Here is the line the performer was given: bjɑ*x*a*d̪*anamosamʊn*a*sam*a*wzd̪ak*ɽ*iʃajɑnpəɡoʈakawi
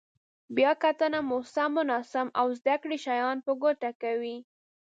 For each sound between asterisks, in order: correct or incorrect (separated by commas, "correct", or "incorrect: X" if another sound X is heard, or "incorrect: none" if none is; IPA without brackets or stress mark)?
incorrect: k, incorrect: t̪, incorrect: ɑ, correct, correct